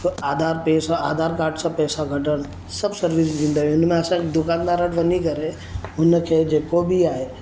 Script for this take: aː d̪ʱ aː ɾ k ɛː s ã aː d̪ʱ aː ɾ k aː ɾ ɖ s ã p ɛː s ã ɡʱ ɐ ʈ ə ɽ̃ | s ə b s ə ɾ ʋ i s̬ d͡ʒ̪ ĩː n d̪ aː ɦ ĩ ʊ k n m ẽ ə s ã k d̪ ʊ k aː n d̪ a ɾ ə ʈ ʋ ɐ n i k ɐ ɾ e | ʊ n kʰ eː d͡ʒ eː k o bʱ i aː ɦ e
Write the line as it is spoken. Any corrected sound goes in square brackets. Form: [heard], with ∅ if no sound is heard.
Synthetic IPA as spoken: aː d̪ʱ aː ɾ [p] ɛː s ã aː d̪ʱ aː ɾ k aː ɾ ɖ s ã p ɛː s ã ɡʱ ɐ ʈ ə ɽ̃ | s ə b s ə ɾ ʋ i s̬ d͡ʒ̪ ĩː n d̪ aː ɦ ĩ ʊ [∅] n m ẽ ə s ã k d̪ ʊ k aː n d̪ a ɾ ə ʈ ʋ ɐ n i k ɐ ɾ e | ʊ n kʰ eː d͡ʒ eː k o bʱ i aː ɦ e